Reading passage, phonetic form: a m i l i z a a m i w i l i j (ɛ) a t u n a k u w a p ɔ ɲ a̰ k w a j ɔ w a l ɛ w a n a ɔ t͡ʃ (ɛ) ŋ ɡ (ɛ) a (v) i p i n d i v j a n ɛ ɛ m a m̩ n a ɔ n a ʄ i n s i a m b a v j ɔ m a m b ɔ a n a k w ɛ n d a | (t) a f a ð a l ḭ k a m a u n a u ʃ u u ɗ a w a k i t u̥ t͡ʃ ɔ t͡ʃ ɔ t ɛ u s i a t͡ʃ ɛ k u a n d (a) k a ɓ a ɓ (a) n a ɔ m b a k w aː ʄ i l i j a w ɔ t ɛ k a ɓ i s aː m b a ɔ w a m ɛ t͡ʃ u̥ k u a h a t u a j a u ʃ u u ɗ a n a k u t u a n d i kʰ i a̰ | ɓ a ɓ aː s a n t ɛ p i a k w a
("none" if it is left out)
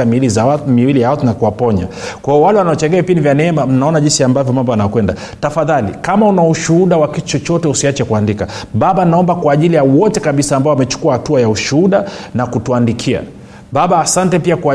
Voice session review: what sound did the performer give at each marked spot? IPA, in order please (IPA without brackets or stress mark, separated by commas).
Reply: a, ɛ, ɛ, v, t, i, a